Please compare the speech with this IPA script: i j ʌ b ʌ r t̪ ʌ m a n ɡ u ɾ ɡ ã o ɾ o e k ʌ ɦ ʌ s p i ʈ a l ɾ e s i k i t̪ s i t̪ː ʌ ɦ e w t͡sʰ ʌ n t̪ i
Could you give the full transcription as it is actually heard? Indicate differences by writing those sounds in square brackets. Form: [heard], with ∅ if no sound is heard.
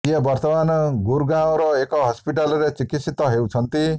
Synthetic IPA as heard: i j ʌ b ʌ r t̪ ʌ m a n ɡ u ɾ ɡ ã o ɾ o e k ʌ ɦ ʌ s p i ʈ a l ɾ e [t͡s] i k i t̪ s i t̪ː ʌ ɦ e w t͡sʰ ʌ n t̪ i